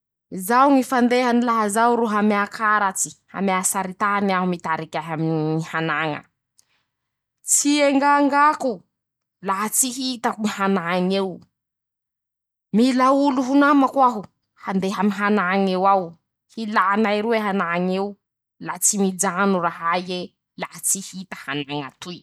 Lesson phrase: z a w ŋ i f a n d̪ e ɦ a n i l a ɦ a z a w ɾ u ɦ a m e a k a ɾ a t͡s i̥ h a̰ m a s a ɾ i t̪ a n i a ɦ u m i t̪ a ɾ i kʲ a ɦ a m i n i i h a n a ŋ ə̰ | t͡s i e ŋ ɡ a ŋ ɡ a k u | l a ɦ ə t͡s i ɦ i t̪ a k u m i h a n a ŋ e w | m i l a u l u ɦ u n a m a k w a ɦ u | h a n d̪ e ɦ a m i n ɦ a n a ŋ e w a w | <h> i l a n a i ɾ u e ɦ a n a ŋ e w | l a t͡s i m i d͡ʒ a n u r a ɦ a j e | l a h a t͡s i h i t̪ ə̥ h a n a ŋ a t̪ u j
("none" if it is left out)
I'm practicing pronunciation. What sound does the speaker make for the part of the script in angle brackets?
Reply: h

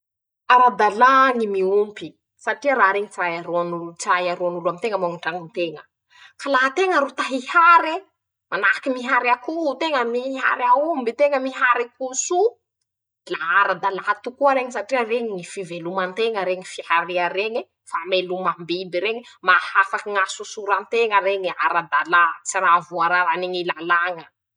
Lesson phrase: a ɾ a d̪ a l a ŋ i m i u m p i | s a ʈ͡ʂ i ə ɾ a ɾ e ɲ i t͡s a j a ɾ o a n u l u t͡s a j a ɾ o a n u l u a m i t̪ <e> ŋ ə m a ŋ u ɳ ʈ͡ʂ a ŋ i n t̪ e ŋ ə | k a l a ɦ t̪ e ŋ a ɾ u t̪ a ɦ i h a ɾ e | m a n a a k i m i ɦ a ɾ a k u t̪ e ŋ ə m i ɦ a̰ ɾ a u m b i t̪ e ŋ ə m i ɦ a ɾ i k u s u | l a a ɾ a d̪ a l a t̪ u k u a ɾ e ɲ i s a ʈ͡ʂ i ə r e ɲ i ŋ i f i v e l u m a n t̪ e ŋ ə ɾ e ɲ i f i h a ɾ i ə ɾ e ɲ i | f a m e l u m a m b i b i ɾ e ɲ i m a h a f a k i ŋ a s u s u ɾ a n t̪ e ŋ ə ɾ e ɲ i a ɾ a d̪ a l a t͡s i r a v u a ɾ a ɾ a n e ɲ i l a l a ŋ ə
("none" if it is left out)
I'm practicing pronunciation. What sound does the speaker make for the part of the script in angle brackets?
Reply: e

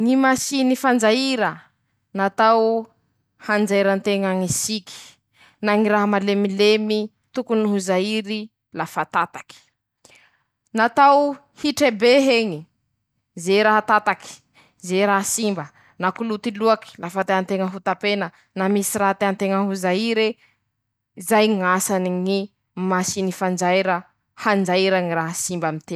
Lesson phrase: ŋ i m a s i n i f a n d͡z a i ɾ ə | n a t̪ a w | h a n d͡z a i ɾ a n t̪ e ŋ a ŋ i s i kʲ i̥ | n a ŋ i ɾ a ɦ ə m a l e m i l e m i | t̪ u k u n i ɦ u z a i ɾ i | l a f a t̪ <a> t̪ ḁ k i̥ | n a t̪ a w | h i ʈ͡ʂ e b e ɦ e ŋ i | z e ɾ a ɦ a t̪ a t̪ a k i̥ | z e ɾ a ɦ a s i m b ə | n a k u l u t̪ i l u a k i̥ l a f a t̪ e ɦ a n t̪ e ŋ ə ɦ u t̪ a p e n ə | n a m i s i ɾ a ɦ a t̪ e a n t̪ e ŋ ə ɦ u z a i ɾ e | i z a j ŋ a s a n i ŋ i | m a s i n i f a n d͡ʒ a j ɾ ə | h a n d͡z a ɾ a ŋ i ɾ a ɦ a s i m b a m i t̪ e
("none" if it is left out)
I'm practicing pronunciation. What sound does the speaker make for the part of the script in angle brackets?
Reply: a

